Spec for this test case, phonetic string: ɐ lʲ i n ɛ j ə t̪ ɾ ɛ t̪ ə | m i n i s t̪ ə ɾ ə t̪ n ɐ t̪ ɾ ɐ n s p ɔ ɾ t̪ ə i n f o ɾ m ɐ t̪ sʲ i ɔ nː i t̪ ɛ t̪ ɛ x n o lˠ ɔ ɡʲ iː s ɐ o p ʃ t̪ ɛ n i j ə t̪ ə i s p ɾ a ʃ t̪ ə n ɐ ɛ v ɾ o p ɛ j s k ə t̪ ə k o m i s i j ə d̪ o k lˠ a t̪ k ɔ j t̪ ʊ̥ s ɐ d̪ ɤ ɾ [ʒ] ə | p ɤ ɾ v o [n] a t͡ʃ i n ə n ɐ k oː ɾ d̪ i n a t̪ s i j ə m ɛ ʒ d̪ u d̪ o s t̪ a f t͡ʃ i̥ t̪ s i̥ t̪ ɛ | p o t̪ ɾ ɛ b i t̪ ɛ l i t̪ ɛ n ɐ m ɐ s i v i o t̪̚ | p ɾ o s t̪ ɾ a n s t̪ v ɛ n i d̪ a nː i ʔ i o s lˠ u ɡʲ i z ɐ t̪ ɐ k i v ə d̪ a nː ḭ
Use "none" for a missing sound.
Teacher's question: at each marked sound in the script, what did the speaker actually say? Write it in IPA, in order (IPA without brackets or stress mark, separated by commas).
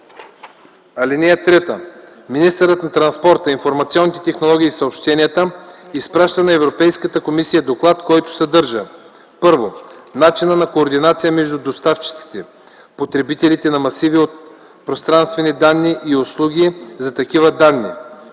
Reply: ʒ, n